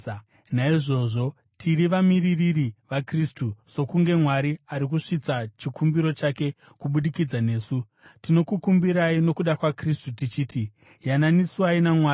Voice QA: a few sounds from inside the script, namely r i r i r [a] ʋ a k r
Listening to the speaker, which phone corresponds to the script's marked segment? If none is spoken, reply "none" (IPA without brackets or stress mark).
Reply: i